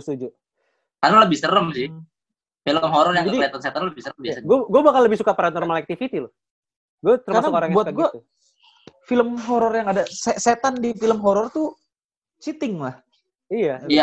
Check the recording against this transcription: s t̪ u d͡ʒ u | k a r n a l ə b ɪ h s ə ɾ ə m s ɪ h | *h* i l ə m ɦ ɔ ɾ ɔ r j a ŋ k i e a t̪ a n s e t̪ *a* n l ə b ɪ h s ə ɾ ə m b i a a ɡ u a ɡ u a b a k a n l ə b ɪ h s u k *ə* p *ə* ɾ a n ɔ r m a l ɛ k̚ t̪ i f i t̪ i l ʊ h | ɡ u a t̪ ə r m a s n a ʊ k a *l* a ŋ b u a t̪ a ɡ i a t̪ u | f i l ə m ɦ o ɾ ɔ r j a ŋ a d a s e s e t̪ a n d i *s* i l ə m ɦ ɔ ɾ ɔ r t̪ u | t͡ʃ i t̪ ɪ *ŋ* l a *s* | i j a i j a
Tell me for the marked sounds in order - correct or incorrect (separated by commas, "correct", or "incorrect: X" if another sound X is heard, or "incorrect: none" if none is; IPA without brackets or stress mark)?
incorrect: f, correct, incorrect: a, incorrect: a, incorrect: ɾ, incorrect: f, correct, incorrect: h